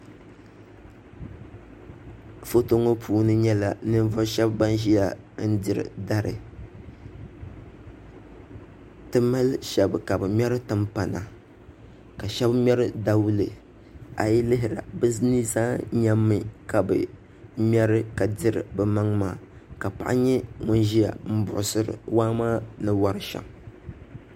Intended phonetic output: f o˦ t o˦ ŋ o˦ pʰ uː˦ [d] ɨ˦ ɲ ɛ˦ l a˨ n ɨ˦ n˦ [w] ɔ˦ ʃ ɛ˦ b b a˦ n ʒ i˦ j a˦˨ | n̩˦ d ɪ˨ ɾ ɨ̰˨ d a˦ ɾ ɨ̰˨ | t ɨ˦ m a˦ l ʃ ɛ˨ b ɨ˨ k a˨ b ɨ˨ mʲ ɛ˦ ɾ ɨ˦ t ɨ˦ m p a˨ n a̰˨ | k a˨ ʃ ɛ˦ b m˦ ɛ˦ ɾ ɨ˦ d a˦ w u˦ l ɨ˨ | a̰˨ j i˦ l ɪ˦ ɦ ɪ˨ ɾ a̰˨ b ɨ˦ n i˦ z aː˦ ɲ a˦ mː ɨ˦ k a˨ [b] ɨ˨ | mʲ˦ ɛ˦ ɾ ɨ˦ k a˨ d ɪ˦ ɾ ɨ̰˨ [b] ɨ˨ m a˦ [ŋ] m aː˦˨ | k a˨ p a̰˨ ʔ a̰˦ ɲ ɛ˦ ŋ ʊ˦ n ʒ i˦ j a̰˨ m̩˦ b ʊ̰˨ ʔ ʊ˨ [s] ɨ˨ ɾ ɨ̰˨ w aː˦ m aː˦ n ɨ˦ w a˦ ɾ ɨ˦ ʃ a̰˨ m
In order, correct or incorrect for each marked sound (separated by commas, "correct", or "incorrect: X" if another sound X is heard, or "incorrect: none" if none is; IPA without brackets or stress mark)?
incorrect: n, incorrect: v, correct, correct, correct, correct